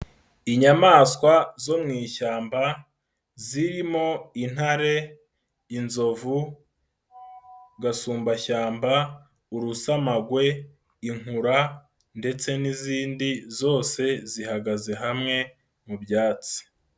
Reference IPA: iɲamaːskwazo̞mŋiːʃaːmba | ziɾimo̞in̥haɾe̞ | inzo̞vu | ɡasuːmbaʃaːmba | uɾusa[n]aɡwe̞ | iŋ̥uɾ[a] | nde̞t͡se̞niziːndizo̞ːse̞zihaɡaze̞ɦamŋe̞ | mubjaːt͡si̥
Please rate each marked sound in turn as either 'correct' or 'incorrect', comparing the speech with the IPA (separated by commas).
incorrect, correct